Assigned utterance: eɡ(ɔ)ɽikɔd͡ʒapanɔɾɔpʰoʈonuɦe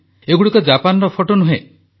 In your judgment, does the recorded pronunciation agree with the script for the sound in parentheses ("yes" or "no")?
no